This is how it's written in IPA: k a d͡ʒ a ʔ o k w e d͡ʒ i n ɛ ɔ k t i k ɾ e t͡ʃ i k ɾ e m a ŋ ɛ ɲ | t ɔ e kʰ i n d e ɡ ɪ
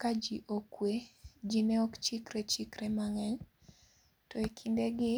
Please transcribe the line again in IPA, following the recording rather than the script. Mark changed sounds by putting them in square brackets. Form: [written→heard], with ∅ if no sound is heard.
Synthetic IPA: k a d͡ʒ [a→i] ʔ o k w e d͡ʒ i n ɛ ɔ k [t→t͡ʃ] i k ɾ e t͡ʃ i k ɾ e m a ŋ ɛ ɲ | t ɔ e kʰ i n d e ɡ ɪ